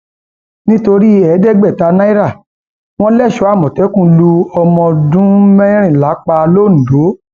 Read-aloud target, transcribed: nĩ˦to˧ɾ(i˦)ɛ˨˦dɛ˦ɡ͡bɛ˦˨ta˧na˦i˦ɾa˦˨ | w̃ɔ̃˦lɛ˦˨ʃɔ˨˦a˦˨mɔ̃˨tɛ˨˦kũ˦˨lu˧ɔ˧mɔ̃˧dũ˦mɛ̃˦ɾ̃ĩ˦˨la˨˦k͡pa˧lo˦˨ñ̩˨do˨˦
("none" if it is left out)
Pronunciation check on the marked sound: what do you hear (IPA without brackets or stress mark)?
i˦